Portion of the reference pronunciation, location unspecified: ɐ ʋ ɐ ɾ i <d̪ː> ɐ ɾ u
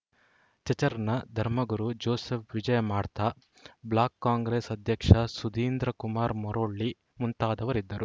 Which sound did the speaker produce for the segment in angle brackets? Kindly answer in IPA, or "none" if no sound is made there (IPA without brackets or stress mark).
d̪ː